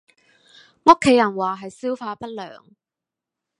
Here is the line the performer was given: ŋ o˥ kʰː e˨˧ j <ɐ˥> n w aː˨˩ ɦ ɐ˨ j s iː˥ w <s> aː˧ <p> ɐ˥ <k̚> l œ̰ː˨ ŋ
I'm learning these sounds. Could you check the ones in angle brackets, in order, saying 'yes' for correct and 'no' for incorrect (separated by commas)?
no, no, yes, no